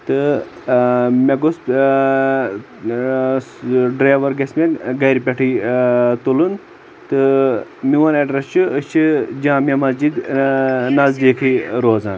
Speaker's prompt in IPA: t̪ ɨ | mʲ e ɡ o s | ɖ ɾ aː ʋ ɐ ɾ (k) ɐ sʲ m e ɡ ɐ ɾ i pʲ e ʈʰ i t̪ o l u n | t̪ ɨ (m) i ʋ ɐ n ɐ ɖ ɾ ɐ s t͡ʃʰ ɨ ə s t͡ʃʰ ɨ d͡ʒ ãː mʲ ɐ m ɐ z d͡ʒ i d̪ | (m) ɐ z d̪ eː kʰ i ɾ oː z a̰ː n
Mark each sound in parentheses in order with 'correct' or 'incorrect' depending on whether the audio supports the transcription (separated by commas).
incorrect, correct, incorrect